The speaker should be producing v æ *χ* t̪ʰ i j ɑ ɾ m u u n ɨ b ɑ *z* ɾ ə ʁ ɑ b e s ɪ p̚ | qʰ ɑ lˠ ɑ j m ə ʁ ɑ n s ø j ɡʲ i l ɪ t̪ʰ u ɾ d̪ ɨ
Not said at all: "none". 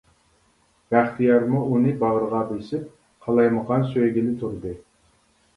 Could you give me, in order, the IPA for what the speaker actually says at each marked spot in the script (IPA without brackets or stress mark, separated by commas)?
χ, ʁ